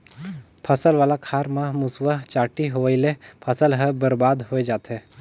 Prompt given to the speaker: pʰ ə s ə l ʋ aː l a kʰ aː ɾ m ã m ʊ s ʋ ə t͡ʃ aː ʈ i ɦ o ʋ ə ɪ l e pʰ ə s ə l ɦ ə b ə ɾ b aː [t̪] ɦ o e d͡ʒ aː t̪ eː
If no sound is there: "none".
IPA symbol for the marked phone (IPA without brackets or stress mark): d̪